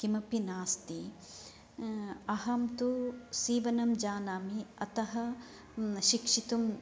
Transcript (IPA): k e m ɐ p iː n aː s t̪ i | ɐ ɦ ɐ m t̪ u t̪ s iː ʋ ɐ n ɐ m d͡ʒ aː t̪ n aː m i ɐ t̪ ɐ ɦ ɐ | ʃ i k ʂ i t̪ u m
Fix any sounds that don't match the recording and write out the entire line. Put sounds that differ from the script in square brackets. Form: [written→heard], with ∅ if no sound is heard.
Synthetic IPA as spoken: k [e→i] m ɐ p [iː→i] n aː s t̪ i | ɐ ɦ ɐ m t̪ u [t̪→∅] s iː ʋ ɐ n ɐ m d͡ʒ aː [t̪→∅] n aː m i ɐ t̪ ɐ ɦ ɐ | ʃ i k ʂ i t̪ u m